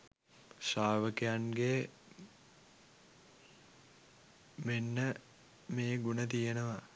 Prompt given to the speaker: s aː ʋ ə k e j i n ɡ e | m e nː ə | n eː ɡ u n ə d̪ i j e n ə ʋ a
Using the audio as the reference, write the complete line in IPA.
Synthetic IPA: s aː ʋ ə k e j a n ɡ e | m e nː ə | m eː ɡ u n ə t̪ i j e n ə ʋ a

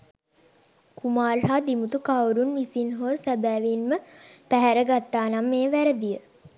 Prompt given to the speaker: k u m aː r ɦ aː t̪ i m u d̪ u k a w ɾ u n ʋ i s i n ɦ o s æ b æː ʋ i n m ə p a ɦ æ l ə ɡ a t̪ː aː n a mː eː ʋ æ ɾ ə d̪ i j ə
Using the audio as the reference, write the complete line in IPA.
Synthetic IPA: k u m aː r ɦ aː d̪ i m u t̪ u k a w ɾ u n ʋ i s i n ɦ o s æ b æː ʋ i n m ə p æ ɦ æ ɾ ə ɡ a t̪ː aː n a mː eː ʋ æ ɾ ə d̪ i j ə

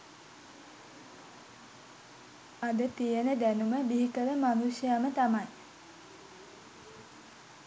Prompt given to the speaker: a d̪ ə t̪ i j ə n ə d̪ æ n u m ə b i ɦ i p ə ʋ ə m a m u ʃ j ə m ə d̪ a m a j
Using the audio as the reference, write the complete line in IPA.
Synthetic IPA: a d̪ ə t̪ i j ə n ə d̪ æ n u m ə b i ɦ i k ə ʋ ə m a n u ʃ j a m ə t̪ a m a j

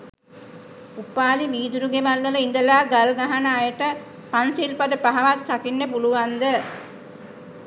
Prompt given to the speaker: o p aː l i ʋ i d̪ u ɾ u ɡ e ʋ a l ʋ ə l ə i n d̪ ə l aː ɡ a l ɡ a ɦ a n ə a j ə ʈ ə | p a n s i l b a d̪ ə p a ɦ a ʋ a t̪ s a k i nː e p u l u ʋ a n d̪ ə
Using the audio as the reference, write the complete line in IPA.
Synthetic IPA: u p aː l i ʋ iː d̪ u ɾ u ɡ e ʋ a l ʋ ə l ə i n d̪ ə l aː ɡ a l ɡ a ɦ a n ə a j ə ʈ ə | p a n s i l p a d̪ ə p a ɦ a ʋ a t̪ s a k i nː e p u l u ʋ a n d̪ ə

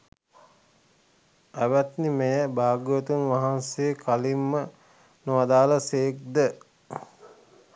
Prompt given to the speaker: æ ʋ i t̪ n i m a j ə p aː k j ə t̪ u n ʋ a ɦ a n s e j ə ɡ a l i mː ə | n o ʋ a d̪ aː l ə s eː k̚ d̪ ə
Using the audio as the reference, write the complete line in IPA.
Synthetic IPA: æ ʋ æ t̪ n i m e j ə b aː ɡ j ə t̪ u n ʋ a ɦ a n s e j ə k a l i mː ə | n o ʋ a d̪ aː l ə s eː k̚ d̪ ə

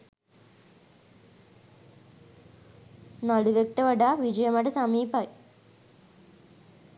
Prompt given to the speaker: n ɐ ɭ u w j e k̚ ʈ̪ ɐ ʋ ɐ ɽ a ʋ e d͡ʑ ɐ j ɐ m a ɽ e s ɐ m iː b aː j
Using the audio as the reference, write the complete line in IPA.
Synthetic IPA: n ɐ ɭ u ʋ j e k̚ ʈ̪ ɐ ʋ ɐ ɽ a ʋ i d͡ʑ ɐ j ɐ m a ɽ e s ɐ m iː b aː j

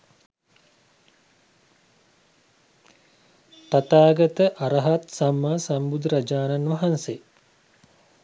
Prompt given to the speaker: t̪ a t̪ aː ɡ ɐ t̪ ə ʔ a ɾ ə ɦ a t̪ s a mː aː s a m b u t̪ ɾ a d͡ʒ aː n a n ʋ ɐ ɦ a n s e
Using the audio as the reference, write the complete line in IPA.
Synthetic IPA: t̪ a t̪ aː ɡ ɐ t̪ ə ʔ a ɾ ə ɦ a t̪ s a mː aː s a m b u d̪ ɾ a d͡ʒ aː n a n ʋ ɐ ɦ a n s e

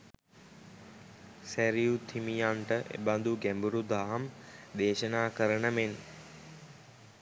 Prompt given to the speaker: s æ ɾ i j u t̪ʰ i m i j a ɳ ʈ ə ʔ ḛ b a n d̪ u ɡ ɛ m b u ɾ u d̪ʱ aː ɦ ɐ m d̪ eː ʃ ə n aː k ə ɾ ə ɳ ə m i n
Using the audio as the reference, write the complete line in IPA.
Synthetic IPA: s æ ɾ i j u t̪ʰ i m i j a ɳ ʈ ə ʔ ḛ b a n d̪ u ɡ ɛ m b u ɾ u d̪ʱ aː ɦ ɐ m d̪ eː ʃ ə n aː k ə ɾ ə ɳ ə m e n

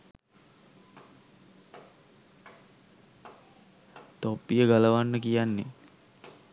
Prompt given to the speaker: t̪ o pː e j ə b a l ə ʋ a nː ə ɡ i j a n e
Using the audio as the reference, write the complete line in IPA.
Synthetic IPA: t̪ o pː i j ə ɡ a l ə ʋ a nː ə k i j a nː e

